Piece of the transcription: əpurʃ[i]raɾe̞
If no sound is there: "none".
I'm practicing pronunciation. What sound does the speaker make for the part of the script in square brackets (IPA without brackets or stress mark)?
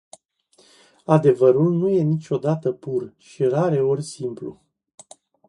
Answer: i